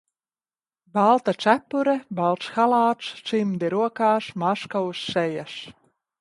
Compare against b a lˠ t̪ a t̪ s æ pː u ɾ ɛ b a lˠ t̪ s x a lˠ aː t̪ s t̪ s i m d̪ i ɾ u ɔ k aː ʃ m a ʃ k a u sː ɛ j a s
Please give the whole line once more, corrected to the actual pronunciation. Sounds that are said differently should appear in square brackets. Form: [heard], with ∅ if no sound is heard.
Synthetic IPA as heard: b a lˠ t̪ a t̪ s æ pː u ɾ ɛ b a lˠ t̪ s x a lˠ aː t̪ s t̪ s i m d̪ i ɾ u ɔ k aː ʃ m a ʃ k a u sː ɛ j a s